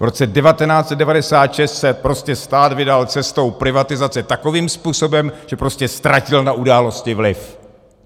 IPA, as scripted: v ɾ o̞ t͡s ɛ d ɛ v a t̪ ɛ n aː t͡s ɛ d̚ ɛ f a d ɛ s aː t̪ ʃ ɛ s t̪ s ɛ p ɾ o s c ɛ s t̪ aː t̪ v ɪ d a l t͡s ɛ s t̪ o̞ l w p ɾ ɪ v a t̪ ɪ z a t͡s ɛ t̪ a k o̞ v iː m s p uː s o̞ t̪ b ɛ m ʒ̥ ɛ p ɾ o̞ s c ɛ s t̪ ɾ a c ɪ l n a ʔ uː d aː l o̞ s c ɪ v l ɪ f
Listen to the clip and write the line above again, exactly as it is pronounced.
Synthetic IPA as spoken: v ɾ o̞ t͡s ɛ d ɛ v a t̪ ɛ n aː t͡s ɛ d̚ ɛ v a d ɛ s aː t̪ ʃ ɛ s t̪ s ɛ p ɾ o s c ɛ s t̪ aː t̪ v ɪ d a l t͡s ɛ s t̪ o̞ w p ɾ ɪ v a t̪ ɪ z a t͡s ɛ t̪ a k o̞ v iː m s p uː s o̞ b ɛ m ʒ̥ ɛ p ɾ o̞ s c ɛ s t̪ ɾ a c ɪ l n a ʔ u d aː l o̞ s c ɪ v l ɪ f